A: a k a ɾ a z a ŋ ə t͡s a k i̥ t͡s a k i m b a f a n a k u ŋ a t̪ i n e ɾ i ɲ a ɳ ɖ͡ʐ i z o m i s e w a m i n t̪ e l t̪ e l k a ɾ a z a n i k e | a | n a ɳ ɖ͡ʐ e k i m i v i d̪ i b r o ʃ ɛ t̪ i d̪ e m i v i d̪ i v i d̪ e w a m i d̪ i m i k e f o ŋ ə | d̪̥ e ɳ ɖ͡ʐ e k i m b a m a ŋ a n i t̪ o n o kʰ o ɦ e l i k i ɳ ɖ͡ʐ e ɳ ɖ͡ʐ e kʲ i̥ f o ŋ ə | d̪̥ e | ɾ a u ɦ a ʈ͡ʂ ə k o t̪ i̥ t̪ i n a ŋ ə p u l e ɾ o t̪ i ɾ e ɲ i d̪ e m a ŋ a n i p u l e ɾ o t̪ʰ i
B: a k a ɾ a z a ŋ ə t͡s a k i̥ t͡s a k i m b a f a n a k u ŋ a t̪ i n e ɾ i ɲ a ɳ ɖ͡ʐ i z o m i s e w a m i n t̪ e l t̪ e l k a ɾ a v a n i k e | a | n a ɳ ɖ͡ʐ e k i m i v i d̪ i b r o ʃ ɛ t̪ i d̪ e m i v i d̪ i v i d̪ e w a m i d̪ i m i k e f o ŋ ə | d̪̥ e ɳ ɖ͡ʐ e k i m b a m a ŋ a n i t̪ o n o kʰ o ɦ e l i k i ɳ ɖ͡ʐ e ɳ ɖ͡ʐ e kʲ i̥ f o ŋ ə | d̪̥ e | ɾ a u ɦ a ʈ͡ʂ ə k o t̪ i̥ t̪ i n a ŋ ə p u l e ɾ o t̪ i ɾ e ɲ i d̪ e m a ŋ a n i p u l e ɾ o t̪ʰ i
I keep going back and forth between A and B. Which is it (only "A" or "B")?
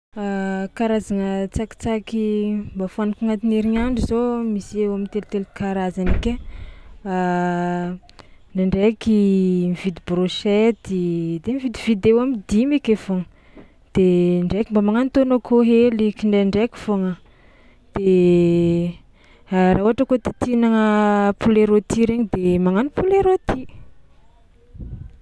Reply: A